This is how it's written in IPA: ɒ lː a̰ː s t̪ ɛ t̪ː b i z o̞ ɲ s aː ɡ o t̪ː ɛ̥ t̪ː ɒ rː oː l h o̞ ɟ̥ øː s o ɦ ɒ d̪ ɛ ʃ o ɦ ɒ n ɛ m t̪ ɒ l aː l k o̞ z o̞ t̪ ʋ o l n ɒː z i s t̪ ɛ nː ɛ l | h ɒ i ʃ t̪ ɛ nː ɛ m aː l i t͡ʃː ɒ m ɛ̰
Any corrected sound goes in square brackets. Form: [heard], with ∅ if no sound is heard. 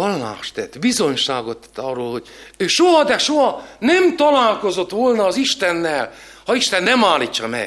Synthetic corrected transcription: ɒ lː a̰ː [ʃ] t̪ ɛ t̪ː b i z o̞ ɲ [ʃ] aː ɡ o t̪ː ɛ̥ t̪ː ɒ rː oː l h o̞ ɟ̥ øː [ʃ] o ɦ ɒ d̪ ɛ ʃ o ɦ ɒ n ɛ m t̪ ɒ l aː l k o̞ z o̞ t̪ ʋ o l n ɒː z i [ʃ] t̪ ɛ nː ɛ l | h ɒ i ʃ t̪ ɛ nː ɛ m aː l i t͡ʃː ɒ m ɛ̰